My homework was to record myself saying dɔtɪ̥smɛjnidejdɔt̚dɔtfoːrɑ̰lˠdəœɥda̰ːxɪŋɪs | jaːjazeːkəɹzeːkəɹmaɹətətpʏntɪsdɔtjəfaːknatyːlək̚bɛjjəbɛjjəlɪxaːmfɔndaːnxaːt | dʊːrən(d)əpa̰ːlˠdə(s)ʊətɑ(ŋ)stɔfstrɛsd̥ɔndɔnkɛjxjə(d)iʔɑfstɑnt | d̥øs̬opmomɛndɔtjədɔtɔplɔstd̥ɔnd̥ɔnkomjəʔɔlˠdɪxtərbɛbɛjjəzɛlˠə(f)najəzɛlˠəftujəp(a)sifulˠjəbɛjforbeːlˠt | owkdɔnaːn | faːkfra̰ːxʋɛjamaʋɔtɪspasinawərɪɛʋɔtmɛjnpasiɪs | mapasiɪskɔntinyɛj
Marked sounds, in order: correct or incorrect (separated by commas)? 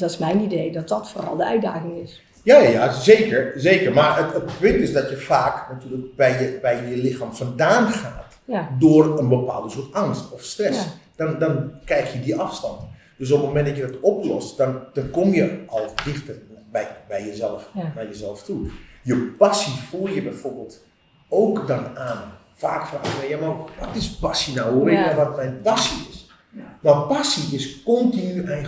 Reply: incorrect, correct, correct, correct, correct, correct